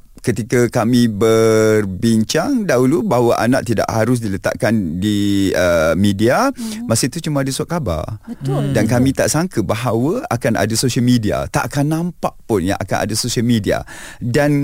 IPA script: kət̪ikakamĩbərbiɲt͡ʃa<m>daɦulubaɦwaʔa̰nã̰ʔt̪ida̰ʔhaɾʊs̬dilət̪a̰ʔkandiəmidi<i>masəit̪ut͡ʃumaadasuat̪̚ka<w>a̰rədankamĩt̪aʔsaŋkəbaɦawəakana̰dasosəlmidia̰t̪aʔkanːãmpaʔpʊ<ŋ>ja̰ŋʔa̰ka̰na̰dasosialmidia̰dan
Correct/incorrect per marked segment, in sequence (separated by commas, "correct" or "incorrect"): incorrect, incorrect, incorrect, incorrect